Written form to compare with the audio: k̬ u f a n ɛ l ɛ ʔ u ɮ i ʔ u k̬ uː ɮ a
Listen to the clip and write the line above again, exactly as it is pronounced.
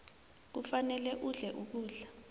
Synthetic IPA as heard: k̬ u f a n ɛ l ɛ ʔ u ɮ ɛ ʔ u k̬ uː ɮ a